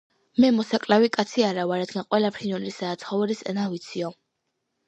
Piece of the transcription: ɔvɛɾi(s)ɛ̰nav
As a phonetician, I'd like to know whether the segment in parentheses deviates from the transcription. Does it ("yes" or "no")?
no